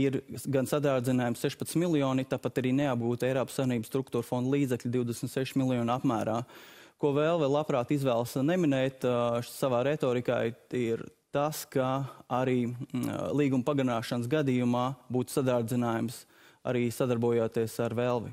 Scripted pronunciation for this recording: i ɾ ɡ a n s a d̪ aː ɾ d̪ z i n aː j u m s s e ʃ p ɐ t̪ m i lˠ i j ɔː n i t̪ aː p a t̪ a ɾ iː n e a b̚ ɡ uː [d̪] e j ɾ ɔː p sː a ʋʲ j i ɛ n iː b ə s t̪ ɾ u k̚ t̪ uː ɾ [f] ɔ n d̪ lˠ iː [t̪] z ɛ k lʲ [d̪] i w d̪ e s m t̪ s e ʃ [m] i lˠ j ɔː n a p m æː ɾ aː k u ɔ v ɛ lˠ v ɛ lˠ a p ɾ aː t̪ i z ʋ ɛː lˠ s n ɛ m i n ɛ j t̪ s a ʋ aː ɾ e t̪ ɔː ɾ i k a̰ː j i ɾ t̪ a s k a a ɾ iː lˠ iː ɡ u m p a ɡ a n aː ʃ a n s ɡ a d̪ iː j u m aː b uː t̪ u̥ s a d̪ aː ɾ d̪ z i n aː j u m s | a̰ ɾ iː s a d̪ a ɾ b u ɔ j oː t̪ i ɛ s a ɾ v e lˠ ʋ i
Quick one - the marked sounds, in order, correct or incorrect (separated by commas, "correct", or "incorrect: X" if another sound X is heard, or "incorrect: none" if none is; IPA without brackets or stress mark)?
incorrect: t̪, correct, incorrect: d̪, correct, correct